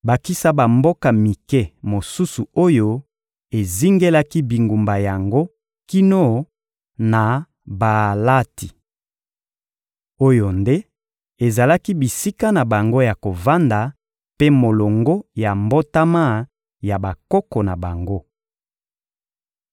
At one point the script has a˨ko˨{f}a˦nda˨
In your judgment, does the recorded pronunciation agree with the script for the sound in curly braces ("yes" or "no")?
no